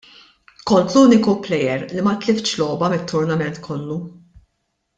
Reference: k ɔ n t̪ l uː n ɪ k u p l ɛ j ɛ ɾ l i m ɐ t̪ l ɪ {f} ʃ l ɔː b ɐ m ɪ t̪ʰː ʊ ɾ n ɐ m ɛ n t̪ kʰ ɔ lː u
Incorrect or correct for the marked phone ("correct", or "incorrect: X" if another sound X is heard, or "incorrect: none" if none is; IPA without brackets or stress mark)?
correct